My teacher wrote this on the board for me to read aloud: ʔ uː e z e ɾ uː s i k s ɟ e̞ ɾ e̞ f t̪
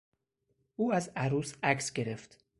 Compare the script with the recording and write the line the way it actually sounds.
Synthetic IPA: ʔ uː æ z æ ɾ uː s æ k s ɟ e̞ ɾ e̞ f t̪